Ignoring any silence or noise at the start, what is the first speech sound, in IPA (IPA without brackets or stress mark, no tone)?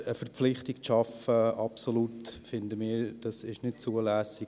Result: ə